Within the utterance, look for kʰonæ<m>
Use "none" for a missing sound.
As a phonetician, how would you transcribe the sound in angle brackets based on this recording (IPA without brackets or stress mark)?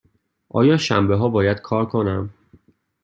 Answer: m